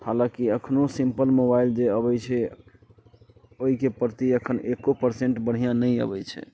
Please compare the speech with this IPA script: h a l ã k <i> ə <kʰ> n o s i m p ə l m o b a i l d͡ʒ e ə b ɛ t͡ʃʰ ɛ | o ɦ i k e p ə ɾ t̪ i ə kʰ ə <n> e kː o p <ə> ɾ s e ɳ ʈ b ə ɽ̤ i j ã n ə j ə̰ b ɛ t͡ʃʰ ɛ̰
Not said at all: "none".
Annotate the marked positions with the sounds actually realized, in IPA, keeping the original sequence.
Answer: i, kʰ, n, ə

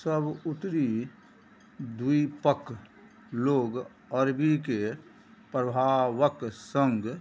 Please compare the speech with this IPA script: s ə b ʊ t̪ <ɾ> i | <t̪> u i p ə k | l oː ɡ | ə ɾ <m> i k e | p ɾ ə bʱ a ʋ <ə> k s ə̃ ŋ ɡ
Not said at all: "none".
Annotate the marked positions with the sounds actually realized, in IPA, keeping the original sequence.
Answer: ɾ, d̪, b, ə

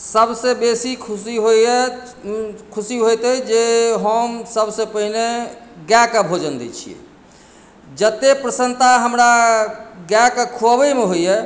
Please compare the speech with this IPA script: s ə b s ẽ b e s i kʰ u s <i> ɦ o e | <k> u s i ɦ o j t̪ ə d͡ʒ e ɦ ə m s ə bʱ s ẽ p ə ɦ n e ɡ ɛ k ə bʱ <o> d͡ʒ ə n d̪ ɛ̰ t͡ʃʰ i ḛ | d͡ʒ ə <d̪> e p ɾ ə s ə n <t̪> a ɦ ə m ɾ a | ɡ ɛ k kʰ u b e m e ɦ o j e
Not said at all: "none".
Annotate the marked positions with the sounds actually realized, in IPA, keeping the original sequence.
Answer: i, kʰ, o, t̪, t̪

